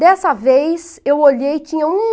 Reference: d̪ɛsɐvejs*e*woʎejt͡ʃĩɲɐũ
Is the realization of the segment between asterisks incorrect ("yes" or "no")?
no